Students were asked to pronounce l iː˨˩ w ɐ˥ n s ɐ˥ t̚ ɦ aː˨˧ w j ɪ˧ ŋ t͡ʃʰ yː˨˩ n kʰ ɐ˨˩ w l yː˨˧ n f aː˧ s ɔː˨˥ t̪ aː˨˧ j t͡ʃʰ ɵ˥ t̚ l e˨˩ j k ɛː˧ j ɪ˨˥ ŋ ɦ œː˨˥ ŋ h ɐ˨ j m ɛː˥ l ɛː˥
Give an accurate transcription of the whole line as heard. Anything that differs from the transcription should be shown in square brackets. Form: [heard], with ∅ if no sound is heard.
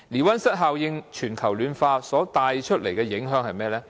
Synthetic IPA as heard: l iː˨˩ w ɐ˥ n s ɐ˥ t̚ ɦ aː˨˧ w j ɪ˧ ŋ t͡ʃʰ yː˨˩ n kʰ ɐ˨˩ w l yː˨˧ n f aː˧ s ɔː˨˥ t̪ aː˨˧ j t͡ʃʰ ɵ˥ t̚ l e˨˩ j k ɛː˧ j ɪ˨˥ ŋ ɦ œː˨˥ ŋ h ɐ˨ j m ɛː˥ l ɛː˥

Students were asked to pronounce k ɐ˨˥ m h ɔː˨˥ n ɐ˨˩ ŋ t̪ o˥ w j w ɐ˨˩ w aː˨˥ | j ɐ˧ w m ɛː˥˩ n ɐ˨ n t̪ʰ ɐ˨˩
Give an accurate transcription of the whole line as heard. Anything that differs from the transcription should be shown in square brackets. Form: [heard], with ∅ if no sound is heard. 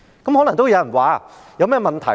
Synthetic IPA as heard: k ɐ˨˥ m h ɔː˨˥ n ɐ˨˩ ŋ t̪ o˥ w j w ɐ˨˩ w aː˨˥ | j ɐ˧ w m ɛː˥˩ [m] ɐ˨ n t̪ʰ ɐ˨˩

